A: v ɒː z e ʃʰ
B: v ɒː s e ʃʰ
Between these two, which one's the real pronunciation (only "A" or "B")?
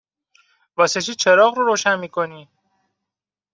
B